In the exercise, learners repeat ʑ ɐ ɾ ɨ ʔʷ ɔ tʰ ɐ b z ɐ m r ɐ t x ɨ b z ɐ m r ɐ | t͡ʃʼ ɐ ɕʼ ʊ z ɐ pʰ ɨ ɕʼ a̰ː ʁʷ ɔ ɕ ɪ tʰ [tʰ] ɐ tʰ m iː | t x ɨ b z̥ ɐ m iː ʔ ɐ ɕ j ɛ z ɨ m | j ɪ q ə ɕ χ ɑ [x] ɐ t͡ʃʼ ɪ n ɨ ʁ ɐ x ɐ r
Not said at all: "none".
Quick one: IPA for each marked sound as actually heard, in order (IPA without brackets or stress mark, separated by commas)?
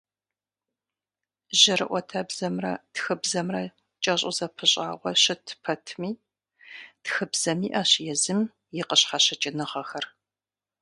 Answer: pʰ, ɕ